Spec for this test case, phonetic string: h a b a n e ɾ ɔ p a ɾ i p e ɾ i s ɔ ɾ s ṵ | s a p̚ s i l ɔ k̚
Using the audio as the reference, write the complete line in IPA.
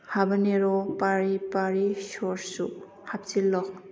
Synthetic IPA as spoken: h a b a n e ɾ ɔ p a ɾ i p a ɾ i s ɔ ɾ s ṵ | h a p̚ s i l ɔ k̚